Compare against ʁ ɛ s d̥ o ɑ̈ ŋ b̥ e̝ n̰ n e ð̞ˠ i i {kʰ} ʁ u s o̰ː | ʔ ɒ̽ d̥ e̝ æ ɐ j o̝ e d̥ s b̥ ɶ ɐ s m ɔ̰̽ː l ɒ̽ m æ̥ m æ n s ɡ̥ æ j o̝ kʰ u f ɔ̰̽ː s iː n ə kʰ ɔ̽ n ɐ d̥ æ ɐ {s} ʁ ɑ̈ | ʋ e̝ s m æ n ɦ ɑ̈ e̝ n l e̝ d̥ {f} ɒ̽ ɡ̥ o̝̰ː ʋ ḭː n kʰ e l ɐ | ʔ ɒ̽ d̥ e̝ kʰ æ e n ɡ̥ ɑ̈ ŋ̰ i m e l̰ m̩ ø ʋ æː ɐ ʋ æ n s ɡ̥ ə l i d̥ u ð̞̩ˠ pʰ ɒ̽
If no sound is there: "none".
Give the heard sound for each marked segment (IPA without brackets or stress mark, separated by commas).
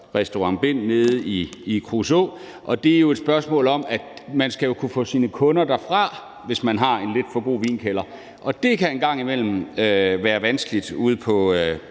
kʰ, f, f